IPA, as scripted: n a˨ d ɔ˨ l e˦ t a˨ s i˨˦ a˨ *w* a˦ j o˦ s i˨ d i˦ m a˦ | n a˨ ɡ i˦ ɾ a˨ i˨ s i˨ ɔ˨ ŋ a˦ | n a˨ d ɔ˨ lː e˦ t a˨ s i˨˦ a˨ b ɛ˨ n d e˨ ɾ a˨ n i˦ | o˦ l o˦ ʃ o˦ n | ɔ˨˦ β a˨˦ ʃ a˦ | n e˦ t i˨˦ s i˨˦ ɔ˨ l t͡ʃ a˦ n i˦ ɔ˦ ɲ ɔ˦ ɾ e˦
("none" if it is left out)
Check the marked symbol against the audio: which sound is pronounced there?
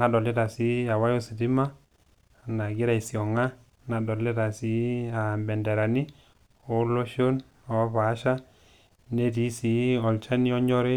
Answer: w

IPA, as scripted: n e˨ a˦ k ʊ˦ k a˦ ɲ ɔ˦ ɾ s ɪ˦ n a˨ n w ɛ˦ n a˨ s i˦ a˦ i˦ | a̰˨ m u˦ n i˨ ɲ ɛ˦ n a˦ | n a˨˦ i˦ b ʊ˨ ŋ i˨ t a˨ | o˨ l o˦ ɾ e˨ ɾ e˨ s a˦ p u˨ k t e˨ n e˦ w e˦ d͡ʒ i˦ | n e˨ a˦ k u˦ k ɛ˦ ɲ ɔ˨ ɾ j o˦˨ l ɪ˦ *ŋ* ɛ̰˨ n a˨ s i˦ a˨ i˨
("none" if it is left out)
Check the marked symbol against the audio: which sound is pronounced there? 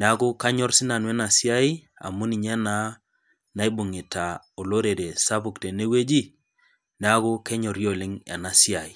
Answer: ŋ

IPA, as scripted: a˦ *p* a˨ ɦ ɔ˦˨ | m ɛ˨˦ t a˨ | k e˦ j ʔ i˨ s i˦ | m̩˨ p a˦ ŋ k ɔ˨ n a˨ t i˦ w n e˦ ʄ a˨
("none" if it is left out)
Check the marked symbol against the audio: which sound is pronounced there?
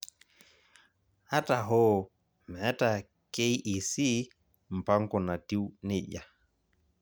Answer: t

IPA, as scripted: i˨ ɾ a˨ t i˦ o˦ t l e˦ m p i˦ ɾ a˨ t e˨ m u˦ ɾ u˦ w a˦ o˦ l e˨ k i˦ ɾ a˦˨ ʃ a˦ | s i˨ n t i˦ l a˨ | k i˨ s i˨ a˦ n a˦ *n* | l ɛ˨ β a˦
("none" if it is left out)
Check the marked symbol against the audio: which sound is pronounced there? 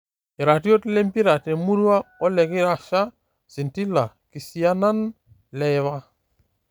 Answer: n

